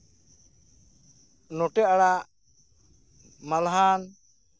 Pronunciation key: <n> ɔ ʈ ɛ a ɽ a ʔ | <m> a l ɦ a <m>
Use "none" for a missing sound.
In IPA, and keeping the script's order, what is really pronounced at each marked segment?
n, m, n

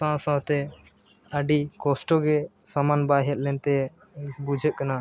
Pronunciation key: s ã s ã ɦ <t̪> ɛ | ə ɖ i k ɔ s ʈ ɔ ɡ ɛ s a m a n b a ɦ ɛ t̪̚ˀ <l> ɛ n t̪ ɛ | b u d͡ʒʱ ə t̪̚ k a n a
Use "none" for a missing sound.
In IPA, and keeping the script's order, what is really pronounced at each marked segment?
t̪, l

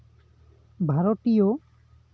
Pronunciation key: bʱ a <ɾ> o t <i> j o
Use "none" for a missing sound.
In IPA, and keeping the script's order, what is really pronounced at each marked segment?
ɾ, i

